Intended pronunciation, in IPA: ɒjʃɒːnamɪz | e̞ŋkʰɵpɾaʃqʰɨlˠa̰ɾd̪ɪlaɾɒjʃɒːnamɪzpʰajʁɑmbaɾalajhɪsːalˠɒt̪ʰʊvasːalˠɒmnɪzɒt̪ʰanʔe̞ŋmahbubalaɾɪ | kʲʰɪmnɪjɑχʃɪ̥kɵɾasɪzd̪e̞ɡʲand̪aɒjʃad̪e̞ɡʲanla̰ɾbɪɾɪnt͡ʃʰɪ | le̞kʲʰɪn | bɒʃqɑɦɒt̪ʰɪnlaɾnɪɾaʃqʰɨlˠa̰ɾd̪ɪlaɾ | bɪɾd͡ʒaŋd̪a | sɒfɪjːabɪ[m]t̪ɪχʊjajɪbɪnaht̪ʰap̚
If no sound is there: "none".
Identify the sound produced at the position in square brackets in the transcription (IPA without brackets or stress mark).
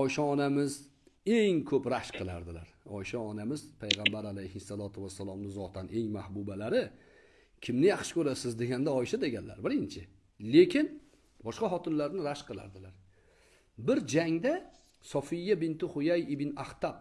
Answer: n